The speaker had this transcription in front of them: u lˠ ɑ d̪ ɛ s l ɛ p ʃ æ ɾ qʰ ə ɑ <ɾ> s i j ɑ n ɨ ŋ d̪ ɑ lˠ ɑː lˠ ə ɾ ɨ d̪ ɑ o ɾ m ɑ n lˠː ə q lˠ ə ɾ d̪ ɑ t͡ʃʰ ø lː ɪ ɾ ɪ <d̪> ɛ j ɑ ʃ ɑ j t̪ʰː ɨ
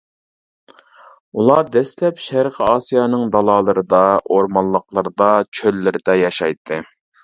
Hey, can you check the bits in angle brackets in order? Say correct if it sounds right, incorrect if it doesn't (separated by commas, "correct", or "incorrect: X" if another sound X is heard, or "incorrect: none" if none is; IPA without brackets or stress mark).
incorrect: none, correct